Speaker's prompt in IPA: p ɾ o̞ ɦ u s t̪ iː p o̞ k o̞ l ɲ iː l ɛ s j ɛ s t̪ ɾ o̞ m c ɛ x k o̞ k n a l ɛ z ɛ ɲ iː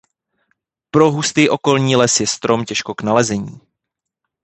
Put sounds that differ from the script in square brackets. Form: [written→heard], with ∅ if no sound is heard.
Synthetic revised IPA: p ɾ o̞ ɦ u s t̪ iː [p→ʔ] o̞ k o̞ l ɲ iː l ɛ s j ɛ s t̪ ɾ o̞ m c ɛ [x→ʃ] k o̞ k n a l ɛ z ɛ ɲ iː